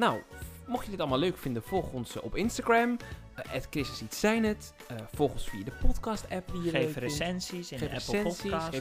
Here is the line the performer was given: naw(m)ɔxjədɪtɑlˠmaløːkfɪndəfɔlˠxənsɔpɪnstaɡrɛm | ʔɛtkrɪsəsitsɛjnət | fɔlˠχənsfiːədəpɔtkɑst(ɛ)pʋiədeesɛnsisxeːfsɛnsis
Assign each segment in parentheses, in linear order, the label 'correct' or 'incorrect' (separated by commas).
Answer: correct, correct